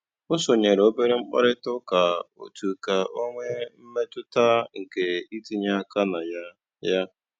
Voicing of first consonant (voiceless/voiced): voiceless